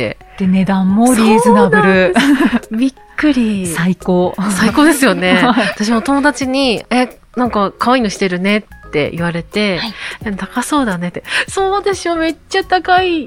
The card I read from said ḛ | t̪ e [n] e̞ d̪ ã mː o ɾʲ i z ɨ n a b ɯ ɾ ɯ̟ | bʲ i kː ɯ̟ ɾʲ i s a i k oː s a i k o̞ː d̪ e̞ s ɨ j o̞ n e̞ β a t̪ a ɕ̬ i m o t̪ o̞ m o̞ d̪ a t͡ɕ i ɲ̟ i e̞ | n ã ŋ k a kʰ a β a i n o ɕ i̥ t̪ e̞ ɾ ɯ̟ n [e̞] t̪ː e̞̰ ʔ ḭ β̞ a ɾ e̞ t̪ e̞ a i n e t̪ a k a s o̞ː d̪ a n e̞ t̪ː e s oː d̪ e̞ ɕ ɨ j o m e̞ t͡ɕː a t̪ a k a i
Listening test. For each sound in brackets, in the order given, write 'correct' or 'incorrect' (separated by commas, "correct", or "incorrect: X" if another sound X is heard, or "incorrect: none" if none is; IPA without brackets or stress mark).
correct, correct